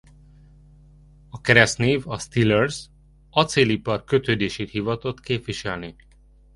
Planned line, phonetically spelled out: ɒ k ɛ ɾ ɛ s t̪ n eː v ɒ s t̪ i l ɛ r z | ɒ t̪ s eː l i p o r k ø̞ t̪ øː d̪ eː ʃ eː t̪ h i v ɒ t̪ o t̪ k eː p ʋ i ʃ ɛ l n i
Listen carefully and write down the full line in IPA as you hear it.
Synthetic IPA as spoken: ɒ k ɛ ɾ ɛ s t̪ n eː v ɒ s t̪ i l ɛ r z | ɒ t̪ s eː l i p ɒ r k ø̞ t̪ øː d̪ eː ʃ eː t̪ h i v ɒ t̪ o t̪ k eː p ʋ i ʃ ɛ l n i